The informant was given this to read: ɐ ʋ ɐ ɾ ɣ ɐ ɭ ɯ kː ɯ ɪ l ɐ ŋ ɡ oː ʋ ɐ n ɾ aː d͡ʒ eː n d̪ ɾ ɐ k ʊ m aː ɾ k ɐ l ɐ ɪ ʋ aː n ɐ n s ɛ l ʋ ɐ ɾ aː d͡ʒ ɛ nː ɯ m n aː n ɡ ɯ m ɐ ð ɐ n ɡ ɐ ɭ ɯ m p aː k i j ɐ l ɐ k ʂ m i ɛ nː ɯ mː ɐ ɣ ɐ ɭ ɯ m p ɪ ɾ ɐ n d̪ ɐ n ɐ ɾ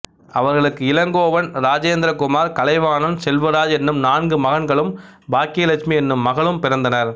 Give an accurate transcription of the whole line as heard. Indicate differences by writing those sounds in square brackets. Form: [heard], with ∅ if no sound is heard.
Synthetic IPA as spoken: ɐ ʋ ɐ ɾ ɣ ɐ ɭ ɯ kː ɯ ɪ l ɐ ŋ ɡ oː ʋ ɐ n ɾ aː d͡ʒ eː n d̪ ɾ ɐ k ʊ m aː ɾ k ɐ l ɐ ɪ ʋ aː n ɐ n s ɛ l ʋ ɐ ɾ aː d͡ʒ ɛ nː ɯ m n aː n ɡ ɯ m ɐ [ɣ] ɐ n ɡ ɐ ɭ ɯ m [b] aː k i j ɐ l ɐ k ʂ m i ɛ nː ɯ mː ɐ ɣ ɐ ɭ ɯ m p ɪ ɾ ɐ n d̪ ɐ n ɐ ɾ